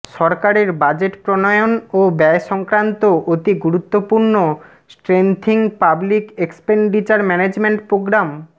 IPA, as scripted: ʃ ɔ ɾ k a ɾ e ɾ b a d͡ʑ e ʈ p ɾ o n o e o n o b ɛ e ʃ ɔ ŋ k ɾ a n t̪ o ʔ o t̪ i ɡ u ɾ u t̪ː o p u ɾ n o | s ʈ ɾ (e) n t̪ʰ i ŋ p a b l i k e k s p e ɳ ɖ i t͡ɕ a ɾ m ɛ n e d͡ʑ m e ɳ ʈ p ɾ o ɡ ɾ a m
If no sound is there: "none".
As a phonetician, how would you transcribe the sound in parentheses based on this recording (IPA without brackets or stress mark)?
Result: e